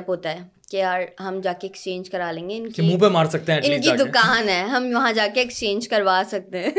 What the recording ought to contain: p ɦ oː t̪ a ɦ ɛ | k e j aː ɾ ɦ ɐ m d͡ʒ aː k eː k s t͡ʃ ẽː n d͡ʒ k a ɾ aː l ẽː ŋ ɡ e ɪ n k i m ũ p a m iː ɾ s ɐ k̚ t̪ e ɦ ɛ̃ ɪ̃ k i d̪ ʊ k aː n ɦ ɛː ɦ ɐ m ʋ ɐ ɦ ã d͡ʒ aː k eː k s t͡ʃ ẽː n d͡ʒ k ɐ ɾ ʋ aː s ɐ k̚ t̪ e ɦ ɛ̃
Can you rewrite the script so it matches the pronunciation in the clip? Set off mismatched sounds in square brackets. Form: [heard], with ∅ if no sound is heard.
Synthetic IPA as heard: p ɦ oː t̪ a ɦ ɛ | k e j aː ɾ ɦ ɐ m d͡ʒ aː k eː k s t͡ʃ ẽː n d͡ʒ k [ɐ] ɾ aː l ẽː ŋ ɡ e ɪ n k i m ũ p [e] m [aː] ɾ s ɐ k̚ t̪ e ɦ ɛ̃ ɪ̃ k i d̪ ʊ k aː n ɦ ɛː ɦ ɐ m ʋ ɐ ɦ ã d͡ʒ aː k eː k s t͡ʃ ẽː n d͡ʒ k ɐ ɾ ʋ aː s ɐ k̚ t̪ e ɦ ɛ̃